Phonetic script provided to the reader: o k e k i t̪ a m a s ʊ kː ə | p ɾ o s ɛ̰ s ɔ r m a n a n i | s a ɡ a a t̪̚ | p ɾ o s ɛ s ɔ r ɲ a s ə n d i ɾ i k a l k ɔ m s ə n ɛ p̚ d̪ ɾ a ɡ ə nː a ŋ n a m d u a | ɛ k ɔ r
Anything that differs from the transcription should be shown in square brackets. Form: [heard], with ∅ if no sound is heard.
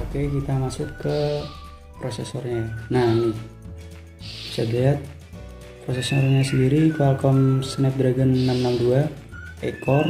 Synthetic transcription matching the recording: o k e k i t̪ a m a s ʊ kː ə | p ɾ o s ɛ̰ s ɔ r [ɲ] a n a n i | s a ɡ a a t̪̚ | p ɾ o s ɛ s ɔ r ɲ a s ə n d i ɾ i k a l k ɔ m s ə n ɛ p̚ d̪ ɾ a ɡ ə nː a [m] n a m d u a | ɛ k ɔ r

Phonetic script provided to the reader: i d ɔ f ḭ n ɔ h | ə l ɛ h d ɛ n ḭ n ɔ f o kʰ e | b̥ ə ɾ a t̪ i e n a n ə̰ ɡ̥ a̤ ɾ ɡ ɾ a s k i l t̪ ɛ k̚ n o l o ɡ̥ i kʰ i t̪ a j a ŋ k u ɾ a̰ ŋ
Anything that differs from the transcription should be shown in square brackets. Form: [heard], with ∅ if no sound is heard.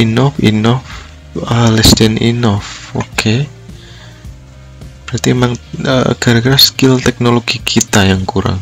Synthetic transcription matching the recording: i [n] ɔ f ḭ n ɔ [f] | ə l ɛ [s] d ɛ n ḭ n ɔ f o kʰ e | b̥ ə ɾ a t̪ i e [m] a [ŋ] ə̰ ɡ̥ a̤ ɾ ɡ ɾ a s k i l t̪ ɛ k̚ n o l o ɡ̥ i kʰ i t̪ a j a ŋ k u ɾ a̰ ŋ

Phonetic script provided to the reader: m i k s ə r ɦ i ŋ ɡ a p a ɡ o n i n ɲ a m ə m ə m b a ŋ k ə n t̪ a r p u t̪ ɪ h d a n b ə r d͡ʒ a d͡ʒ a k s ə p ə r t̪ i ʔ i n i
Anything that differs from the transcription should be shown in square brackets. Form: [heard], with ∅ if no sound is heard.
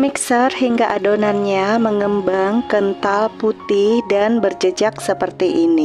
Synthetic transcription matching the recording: m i k s ə r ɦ i ŋ ɡ a [ʔ] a [d] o n [a] n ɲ a m ə [ŋ] ə m b a ŋ k ə n t̪ a [l] p u t̪ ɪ h d a n b ə r d͡ʒ [ə] d͡ʒ a k s ə p ə r t̪ i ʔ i n i

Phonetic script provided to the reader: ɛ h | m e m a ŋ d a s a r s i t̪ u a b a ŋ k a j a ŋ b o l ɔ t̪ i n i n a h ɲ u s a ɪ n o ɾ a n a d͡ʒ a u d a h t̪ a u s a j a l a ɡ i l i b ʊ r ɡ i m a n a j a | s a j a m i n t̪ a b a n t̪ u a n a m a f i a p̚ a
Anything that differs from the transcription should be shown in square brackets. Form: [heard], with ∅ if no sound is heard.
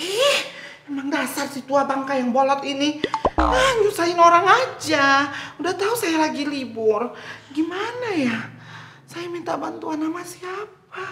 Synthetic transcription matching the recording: ɛ h | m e m a ŋ d a s a r s i t̪ u a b a ŋ k a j a ŋ b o l ɔ t̪ i n i n a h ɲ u s a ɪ n o ɾ a [ŋ] a d͡ʒ a u d a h t̪ a u s a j a l a ɡ i l i b ʊ r ɡ i m a n a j a | s a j a m i n t̪ a b a n t̪ u a n a m a [s] i a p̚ a

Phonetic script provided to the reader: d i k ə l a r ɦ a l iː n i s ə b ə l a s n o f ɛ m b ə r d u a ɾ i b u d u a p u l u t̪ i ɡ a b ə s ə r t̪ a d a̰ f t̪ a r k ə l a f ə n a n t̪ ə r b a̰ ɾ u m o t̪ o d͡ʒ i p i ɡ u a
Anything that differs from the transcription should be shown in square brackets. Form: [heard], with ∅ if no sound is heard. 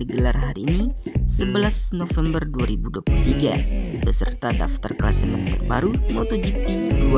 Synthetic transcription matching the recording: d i [ɡ] ə l a r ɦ a [ɾ] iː n i s ə b ə l a s n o f ɛ m b ə r d u a ɾ i b u d u a p u l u t̪ i ɡ a b ə s ə r t̪ a d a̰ f t̪ a r k ə l a [s] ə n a n t̪ ə r b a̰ ɾ u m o t̪ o d͡ʒ i p i [d] u a

